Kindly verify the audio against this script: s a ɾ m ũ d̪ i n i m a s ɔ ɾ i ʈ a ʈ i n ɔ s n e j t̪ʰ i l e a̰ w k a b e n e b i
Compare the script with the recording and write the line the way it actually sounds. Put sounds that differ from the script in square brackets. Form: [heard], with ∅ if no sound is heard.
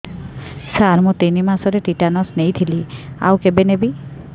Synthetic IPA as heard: s a ɾ m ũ [t̪] i n i m a s ɔ ɾ [e] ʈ [i] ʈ [a] n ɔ s n e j t̪ʰ i l [i] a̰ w k [e] b e n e b i

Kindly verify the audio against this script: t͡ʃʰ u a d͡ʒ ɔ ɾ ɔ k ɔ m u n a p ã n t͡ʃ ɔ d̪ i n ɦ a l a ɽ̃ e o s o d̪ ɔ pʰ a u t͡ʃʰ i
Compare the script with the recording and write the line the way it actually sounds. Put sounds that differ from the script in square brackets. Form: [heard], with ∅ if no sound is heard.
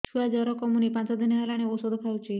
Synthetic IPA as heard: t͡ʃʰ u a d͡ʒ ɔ ɾ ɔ k ɔ m u n [i] p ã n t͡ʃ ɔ d̪ i n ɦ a l a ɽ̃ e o s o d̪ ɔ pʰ a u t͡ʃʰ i

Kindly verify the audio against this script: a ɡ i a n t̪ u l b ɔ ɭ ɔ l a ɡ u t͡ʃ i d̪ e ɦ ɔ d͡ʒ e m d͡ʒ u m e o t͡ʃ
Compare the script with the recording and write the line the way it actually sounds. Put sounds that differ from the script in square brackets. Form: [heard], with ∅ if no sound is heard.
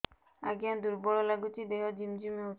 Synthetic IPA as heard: a ɡ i a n [d̪] u [ɾ] b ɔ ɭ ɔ l a ɡ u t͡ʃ i d̪ e ɦ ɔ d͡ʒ [i] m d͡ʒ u m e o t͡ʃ

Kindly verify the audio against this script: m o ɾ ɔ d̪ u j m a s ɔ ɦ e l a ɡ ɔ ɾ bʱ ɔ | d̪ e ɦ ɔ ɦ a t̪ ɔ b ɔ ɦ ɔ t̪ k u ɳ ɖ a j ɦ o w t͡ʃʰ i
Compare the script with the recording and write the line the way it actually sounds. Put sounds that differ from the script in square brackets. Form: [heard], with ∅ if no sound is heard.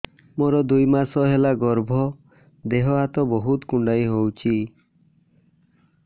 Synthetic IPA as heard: m o ɾ ɔ d̪ u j m a s ɔ ɦ e l a ɡ ɔ ɾ bʱ ɔ | d̪ e ɦ ɔ ɦ a t̪ ɔ b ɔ ɦ [u] t̪ k u ɳ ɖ a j ɦ o w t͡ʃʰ i

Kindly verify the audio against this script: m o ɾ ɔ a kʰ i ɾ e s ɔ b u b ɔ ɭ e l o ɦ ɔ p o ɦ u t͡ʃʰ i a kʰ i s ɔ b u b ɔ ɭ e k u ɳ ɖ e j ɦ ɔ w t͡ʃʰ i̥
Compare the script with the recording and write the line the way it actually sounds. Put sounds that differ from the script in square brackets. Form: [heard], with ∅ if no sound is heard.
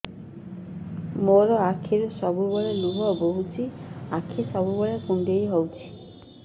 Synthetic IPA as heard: m o ɾ ɔ a kʰ i ɾ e s ɔ b u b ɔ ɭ e l [u] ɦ ɔ [b] o ɦ u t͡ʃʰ i a kʰ i s ɔ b u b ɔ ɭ e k u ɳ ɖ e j ɦ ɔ w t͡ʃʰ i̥

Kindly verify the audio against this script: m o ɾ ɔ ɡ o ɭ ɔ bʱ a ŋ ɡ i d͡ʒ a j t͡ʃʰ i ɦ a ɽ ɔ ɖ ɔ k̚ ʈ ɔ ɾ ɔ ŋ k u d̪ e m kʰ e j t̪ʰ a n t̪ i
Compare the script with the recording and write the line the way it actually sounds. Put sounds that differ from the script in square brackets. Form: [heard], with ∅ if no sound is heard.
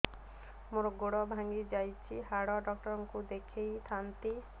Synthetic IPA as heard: m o ɾ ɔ ɡ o [ɽ] ɔ bʱ a ŋ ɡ i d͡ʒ a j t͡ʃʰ i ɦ a ɽ ɔ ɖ ɔ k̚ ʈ ɔ ɾ ɔ ŋ k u d̪ e [∅] kʰ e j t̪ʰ a n t̪ i

